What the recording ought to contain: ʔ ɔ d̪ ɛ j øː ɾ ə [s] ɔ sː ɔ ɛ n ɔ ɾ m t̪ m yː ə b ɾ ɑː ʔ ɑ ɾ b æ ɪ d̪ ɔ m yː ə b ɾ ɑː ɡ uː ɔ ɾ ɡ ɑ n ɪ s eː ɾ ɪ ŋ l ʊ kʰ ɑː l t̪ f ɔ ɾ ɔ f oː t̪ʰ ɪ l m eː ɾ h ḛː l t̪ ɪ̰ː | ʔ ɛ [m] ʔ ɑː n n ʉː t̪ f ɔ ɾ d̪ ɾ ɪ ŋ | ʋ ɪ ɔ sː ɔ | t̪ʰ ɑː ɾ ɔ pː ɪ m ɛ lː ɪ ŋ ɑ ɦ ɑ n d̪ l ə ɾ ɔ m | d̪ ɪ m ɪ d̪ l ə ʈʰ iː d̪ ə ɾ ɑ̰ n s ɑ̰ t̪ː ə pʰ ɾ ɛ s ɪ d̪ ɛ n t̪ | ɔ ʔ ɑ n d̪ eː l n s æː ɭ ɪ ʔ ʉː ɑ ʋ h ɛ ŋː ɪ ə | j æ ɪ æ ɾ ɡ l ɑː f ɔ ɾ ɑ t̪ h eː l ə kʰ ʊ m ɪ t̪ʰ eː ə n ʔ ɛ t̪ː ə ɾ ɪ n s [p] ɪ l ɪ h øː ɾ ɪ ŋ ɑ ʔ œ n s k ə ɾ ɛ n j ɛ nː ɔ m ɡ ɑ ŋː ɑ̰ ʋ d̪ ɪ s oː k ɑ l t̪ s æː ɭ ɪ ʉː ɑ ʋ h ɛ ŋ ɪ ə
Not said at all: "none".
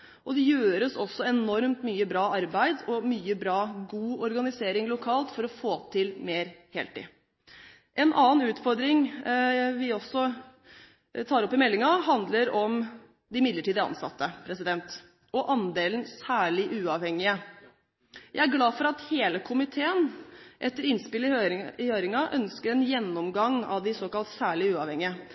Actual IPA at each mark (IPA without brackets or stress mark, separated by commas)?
s, n, p